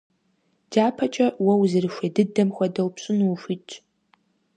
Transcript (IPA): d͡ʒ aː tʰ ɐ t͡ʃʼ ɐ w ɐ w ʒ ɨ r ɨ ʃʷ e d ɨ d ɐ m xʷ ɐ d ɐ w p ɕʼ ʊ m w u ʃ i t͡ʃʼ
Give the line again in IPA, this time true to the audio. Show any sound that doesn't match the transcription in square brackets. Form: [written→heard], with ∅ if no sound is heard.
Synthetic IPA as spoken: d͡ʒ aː [tʰ→pʰ] ɐ t͡ʃʼ ɐ w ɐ w [ʒ→z] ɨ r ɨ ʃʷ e d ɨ d ɐ m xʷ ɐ d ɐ w p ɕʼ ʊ [m→n] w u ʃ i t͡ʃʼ